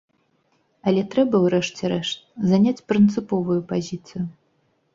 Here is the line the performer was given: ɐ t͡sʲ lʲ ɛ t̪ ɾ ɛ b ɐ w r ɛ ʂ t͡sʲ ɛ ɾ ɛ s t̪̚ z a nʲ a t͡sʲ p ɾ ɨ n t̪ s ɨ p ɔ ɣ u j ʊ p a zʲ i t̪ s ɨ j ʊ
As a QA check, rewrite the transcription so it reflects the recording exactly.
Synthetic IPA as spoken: ɐ lʲ ɛ t̪ ɾ ɛ b ɐ w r ɛ ʂ t͡sʲ ɛ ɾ ɛ ʂ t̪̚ z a nʲ a t͡sʲ p ɾ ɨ n t̪ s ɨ p ɔ v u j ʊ p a zʲ i t̪ s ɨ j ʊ

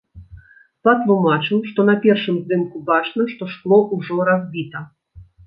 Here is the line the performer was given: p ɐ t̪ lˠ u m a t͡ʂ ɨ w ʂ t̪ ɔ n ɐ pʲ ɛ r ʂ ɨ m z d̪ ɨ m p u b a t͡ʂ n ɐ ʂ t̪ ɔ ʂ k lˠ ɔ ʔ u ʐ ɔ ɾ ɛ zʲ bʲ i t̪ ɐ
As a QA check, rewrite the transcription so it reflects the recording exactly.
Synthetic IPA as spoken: p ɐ t̪ lˠ u m a t͡ʂ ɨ w ʂ t̪ ɔ n ɐ pʲ ɛ r ʂ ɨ m z d̪ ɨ m k u b a t͡ʂ n ɐ ʂ t̪ ɔ ʂ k lˠ ɔ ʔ u ʐ ɔ ɾ a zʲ bʲ i t̪ ɐ

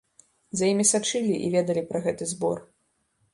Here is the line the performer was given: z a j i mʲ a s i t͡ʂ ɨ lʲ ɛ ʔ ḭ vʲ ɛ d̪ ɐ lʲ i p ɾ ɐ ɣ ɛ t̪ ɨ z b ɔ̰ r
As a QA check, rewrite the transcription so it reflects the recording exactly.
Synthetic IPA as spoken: z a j i mʲ i s a t͡ʂ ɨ lʲ i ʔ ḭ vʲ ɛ d̪ ɐ lʲ i p ɾ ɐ ɣ ɛ t̪ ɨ z b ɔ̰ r

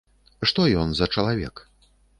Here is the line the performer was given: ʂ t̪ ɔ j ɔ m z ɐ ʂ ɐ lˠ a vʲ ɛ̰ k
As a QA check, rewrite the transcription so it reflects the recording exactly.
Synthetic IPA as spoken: ʂ t̪ ɔ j ɔ n z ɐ t͡ʂ ɐ lˠ a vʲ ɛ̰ k

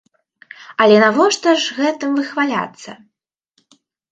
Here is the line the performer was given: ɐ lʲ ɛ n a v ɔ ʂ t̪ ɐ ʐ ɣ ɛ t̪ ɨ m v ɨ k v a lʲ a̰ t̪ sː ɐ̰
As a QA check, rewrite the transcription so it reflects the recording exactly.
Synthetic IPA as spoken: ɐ lʲ ɛ n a v ɔ ʂ t̪ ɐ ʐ ɣ ɛ t̪ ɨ m v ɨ x v a lʲ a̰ t̪ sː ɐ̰

